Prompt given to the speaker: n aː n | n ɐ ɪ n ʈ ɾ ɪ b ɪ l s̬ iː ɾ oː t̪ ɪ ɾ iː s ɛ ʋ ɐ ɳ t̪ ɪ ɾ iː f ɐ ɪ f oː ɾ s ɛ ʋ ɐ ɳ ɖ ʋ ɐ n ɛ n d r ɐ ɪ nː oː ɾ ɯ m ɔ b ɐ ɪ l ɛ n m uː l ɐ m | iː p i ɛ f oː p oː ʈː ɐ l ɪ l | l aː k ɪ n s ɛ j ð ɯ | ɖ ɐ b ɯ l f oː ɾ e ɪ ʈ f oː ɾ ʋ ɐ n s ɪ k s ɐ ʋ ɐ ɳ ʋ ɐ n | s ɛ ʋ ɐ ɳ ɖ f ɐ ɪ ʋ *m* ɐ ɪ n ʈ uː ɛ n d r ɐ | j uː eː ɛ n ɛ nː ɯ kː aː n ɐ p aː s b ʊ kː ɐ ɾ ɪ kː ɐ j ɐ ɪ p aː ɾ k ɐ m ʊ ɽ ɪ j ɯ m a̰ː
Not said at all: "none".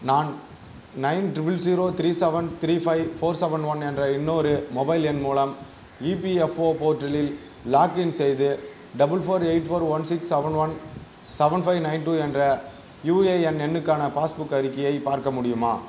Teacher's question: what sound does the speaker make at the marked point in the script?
n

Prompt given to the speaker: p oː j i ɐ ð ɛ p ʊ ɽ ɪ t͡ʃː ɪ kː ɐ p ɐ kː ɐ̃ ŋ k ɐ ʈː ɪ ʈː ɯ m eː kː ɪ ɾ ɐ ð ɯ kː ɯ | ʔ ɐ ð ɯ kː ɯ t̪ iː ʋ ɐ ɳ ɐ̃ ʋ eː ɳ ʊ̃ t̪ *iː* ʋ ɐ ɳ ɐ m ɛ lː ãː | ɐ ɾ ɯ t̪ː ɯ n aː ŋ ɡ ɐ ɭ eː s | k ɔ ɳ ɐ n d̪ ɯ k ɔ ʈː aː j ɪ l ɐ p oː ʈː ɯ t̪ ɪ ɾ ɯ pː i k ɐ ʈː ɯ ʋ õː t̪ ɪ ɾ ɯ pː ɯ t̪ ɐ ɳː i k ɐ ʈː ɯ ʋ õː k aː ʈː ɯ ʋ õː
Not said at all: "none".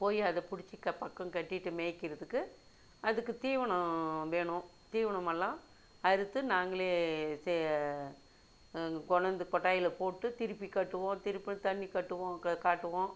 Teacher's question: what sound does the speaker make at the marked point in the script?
iː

